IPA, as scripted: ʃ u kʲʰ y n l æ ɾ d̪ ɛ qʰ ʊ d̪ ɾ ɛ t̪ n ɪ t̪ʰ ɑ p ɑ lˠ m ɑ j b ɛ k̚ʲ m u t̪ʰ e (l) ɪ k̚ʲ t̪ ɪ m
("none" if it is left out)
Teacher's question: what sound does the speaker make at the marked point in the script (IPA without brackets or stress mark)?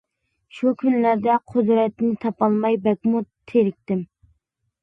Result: ɾ